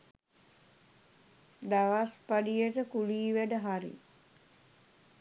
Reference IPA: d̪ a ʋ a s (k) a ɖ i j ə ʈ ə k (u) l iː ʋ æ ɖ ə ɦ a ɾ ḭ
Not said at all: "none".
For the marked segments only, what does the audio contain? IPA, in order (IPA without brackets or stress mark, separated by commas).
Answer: p, u